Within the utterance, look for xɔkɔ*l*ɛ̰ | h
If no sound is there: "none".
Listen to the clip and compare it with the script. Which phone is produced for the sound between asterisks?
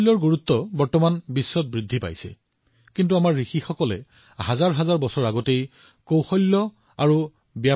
l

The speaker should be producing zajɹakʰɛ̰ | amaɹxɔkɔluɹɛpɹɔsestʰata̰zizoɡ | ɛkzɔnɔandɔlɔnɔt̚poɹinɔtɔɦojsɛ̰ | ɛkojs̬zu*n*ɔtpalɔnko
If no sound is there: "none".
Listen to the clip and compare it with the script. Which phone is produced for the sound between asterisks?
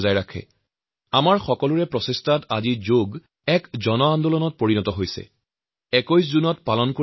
n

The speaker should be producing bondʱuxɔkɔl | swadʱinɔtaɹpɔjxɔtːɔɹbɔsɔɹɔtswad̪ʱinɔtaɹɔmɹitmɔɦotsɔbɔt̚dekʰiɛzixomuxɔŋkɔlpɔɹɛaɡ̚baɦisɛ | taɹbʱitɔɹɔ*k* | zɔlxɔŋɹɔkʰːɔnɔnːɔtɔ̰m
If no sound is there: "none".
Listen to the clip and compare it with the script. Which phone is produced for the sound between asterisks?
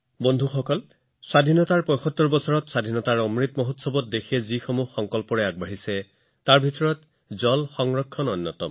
t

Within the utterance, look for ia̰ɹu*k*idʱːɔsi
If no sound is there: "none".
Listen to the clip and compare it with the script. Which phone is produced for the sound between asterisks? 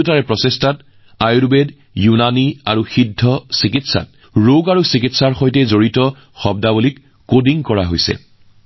x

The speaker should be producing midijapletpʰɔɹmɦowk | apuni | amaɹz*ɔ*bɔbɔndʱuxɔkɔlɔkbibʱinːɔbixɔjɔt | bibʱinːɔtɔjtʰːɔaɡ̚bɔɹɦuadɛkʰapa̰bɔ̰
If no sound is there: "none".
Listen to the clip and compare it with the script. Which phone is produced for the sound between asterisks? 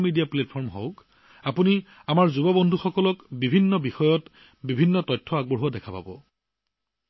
u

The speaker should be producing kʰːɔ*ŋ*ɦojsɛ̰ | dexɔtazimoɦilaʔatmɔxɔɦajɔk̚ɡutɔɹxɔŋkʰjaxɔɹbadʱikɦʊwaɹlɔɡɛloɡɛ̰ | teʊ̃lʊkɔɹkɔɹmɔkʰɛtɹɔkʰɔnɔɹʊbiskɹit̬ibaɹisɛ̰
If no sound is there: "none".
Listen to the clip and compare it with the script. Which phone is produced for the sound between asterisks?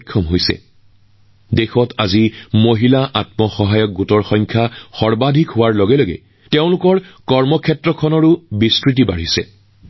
m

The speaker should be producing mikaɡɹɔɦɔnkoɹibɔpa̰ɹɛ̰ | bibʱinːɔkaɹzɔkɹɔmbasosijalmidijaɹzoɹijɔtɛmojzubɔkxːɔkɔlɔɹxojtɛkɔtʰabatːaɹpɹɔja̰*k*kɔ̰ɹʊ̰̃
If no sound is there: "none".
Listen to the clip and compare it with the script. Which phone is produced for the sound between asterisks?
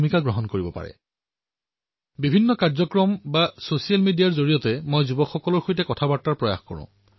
x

